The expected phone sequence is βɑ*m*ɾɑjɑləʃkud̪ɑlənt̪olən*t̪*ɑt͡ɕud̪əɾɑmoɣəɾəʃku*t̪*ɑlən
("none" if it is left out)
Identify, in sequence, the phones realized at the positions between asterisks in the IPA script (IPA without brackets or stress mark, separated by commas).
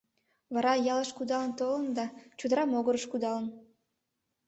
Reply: none, d̪, d̪